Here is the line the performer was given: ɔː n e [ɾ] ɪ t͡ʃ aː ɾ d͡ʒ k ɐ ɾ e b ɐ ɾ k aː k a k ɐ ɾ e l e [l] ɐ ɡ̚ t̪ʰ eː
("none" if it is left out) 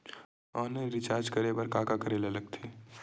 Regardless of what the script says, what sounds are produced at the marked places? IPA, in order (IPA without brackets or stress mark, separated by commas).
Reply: ɾ, l